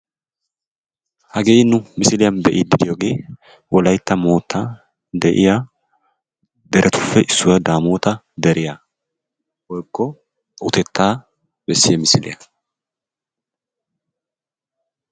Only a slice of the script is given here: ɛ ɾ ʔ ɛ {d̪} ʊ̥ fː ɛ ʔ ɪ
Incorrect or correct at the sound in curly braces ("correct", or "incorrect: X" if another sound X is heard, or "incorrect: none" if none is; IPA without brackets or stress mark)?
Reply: incorrect: t̪